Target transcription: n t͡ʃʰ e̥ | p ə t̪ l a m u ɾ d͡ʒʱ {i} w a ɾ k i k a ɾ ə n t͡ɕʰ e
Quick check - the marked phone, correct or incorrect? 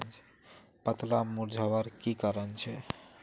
incorrect